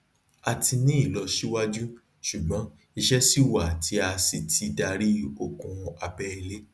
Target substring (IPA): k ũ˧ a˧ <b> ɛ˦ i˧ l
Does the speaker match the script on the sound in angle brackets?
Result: yes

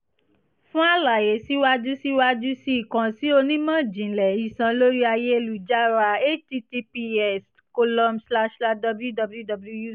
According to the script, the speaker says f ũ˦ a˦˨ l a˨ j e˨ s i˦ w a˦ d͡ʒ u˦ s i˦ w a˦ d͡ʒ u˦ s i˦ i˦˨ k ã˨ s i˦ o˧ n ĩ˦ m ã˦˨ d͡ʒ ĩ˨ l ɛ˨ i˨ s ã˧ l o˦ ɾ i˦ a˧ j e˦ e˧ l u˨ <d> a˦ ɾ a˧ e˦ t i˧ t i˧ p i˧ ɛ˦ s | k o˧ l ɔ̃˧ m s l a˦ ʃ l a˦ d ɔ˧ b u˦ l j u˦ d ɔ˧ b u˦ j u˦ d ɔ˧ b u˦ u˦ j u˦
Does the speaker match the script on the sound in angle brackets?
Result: no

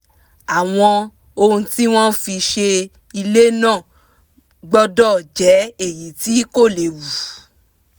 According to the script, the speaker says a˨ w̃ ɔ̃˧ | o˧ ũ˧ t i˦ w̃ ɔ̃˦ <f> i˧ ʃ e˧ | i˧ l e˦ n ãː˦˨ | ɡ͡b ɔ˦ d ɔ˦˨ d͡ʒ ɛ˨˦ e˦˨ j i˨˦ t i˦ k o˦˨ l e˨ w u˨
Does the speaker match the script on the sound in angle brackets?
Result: yes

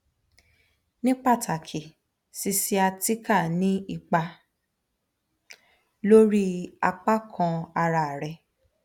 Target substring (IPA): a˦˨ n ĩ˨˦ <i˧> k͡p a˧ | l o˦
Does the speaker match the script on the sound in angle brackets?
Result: yes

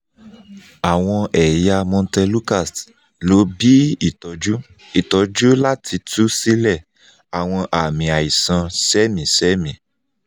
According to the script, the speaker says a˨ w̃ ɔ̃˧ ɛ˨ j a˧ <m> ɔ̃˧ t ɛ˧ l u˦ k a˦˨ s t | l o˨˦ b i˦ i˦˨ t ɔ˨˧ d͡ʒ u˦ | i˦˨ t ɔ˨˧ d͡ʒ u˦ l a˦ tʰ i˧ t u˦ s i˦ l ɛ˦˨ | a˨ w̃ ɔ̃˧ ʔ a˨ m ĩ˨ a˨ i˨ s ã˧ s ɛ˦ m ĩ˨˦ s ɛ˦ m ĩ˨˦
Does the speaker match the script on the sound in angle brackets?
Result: yes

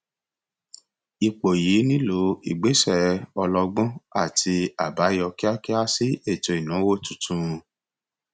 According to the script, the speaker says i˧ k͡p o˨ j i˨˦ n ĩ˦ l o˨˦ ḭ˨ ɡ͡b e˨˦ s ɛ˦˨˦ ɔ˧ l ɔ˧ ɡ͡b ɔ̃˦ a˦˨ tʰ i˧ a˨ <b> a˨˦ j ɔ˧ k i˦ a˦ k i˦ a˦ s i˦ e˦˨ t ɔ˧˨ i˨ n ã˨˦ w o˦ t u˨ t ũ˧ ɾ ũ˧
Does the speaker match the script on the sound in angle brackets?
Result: yes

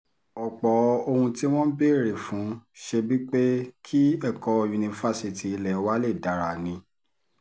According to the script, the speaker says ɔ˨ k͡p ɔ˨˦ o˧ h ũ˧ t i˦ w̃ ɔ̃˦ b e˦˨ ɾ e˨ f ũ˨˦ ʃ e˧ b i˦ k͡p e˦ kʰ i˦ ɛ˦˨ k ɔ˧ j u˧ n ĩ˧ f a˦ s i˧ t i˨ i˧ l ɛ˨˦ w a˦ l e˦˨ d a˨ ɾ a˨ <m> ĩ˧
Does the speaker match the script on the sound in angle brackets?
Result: no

